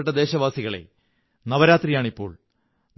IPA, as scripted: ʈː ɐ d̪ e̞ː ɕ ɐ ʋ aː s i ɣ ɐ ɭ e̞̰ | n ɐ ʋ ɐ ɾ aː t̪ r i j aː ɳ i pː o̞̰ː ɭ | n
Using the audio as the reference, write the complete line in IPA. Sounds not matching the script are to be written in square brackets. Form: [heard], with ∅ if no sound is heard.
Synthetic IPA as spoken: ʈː ɐ d̪ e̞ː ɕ ɐ ʋ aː s i ɣ ɐ ɭ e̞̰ | n ɐ ʋ ɐ ɾ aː t̪ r i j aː ɳ i pː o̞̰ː ɭ | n

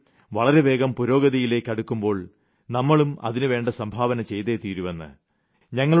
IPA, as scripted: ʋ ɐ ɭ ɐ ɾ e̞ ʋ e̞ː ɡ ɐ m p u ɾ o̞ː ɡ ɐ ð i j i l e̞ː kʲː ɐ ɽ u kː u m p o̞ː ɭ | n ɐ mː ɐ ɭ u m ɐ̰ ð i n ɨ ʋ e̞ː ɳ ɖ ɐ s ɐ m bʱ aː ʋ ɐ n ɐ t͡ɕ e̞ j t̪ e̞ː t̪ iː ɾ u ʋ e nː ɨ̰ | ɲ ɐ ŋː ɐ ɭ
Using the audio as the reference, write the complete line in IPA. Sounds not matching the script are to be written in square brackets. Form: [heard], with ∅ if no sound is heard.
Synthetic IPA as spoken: ʋ ɐ ɭ ɐ ɾ e̞ ʋ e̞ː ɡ ɐ m p u ɾ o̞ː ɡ ɐ ð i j i l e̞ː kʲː ɐ ɽ u kː u m [b] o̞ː ɭ | n ɐ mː ɐ ɭ u m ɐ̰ ð i n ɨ ʋ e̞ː ɳ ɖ ɐ s ɐ m bʱ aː ʋ ɐ n ɐ t͡ɕ e̞ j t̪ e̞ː t̪ iː ɾ u ʋ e nː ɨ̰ | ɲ ɐ ŋː ɐ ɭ

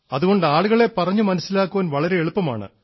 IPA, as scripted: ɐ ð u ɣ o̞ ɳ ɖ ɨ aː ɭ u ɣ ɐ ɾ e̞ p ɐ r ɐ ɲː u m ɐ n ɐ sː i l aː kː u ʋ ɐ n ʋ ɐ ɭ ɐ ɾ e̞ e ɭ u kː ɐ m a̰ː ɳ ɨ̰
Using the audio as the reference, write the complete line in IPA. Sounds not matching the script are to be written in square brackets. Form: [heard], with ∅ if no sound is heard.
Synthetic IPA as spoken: ɐ ð u ɣ o̞ ɳ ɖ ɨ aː ɭ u ɣ ɐ [ɭ] e̞ p ɐ r ɐ ɲː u m ɐ n ɐ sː i l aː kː u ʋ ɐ n ʋ ɐ ɭ ɐ ɾ e̞ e ɭ u [pː] ɐ m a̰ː ɳ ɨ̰

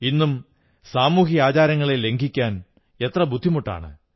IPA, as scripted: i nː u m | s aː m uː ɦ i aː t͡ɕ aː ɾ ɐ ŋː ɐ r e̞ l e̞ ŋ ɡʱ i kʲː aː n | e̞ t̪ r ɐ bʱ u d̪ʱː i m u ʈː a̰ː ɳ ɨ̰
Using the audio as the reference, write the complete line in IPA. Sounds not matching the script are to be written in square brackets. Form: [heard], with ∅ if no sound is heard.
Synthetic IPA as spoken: i nː u m | s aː m uː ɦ i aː t͡ɕ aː ɾ ɐ ŋː ɐ [ɭ] e̞ l e̞ ŋ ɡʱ i kʲː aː n | e̞ t̪ r ɐ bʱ u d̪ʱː i m u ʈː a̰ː ɳ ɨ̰

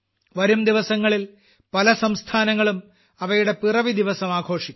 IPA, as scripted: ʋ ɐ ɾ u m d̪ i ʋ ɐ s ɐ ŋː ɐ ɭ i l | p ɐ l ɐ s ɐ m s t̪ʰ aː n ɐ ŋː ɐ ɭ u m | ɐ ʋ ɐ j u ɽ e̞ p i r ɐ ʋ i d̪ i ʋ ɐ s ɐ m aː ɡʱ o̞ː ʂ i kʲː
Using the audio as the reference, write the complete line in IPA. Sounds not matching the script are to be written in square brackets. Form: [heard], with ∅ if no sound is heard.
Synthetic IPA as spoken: ʋ ɐ ɾ u m d̪ i ʋ ɐ s ɐ ŋː ɐ ɭ i l | p ɐ l ɐ s ɐ m s t̪ʰ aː n ɐ ŋː ɐ ɭ u m | ɐ ʋ ɐ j u ɽ e̞ p i r ɐ ʋ i d̪ i ʋ ɐ s ɐ m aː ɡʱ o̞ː ʂ i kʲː

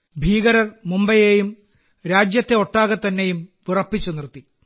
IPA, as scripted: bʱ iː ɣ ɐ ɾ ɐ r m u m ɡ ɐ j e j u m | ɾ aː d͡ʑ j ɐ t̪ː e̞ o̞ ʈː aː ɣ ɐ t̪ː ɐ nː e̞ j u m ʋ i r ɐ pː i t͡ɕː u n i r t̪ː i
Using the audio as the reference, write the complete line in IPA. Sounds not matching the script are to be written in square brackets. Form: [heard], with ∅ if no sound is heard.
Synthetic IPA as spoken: bʱ iː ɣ ɐ ɾ ɐ r m u m [b] ɐ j e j u m | ɾ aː d͡ʑ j ɐ t̪ː e̞ o̞ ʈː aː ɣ ɐ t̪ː ɐ nː e̞ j u m ʋ i r ɐ pː i t͡ɕː u n i r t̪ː i

